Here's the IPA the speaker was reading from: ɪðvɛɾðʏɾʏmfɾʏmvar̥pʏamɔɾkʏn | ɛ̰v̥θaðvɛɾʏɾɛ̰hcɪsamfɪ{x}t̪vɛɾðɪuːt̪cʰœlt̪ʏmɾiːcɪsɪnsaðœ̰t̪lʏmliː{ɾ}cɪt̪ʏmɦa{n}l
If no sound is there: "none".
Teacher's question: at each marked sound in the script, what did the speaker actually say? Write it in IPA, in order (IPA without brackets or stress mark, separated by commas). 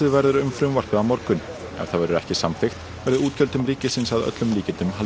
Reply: x, none, none